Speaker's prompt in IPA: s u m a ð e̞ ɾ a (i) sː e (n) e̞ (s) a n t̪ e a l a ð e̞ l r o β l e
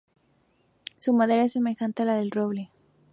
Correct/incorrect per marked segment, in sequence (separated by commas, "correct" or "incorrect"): incorrect, incorrect, incorrect